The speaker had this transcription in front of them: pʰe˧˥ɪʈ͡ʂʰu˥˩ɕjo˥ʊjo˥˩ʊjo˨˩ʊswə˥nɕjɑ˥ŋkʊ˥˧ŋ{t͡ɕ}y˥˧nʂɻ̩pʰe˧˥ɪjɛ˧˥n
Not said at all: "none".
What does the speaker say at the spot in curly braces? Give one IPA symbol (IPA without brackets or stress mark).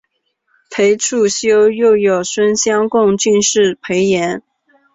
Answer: t͡ɕ